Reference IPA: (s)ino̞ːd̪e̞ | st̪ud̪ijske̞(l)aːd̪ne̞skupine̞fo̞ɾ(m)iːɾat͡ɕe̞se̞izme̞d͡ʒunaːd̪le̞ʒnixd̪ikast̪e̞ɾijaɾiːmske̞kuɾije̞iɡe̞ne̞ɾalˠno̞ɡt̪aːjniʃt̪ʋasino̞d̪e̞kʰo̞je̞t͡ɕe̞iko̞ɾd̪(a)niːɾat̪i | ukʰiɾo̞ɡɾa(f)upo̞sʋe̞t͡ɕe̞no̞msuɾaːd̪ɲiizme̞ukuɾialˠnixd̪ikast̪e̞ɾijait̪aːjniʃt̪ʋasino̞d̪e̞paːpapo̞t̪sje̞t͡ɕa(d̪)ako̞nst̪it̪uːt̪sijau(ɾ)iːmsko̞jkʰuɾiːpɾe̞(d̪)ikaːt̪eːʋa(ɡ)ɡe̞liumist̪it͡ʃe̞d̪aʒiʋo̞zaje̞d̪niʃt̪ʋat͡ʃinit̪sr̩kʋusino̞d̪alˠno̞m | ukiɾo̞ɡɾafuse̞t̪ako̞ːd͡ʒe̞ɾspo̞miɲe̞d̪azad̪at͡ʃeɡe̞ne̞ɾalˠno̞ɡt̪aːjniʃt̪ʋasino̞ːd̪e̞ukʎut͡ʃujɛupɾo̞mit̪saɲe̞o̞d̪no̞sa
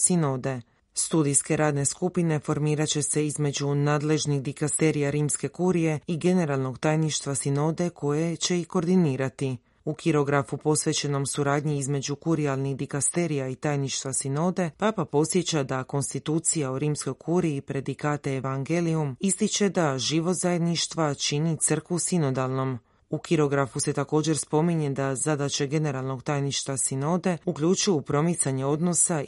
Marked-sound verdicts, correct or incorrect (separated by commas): correct, incorrect, correct, incorrect, correct, correct, correct, correct, incorrect